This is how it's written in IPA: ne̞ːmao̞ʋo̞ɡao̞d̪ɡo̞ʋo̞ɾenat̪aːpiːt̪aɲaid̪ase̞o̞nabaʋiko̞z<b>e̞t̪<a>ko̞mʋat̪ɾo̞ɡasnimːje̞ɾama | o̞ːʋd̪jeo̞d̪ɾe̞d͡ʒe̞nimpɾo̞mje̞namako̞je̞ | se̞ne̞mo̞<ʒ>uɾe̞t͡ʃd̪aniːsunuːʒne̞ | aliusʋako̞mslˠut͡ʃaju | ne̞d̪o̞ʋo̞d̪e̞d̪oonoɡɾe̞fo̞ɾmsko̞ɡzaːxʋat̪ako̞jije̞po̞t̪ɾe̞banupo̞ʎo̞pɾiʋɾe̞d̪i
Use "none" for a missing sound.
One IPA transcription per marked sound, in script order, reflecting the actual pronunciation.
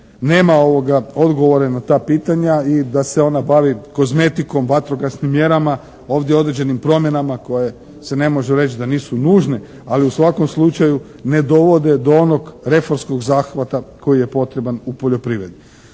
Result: m, i, ʒ

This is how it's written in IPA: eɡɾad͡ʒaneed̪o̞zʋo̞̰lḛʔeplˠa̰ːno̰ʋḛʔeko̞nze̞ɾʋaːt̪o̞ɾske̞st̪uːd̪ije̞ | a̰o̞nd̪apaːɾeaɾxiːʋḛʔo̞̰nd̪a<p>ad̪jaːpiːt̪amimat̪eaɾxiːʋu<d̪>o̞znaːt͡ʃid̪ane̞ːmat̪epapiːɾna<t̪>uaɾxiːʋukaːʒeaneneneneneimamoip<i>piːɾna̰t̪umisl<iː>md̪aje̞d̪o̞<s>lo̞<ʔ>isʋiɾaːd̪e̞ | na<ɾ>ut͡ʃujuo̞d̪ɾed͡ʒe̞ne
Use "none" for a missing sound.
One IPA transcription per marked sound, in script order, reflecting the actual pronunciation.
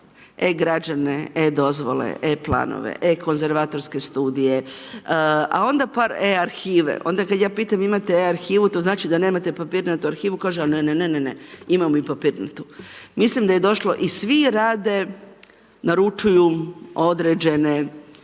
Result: k, t̪, t̪, a, i, ʃ, ʔ, ɾ

